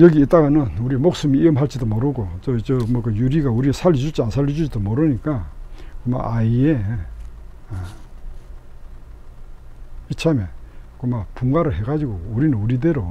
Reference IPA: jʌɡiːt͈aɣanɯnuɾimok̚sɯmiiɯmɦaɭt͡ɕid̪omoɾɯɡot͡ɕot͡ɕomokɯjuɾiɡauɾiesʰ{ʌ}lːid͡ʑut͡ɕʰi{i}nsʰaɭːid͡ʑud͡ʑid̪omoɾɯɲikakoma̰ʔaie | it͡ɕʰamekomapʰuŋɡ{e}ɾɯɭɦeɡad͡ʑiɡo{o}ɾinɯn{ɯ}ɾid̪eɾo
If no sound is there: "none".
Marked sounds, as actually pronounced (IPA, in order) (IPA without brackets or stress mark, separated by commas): a, a, a, u, u